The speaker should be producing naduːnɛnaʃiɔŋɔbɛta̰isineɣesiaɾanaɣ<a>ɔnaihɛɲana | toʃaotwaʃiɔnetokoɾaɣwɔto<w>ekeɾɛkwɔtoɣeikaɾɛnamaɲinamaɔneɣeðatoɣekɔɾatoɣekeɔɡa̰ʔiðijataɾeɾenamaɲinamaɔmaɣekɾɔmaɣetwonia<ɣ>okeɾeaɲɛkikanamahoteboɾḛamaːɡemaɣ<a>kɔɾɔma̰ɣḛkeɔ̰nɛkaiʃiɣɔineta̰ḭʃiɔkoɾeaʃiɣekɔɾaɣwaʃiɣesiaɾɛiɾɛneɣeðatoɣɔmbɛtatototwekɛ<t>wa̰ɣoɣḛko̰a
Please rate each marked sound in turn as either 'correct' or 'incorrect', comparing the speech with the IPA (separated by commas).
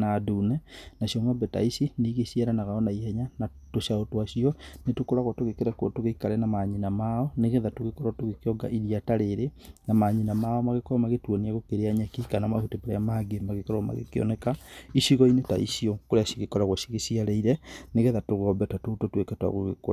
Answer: correct, incorrect, correct, incorrect, correct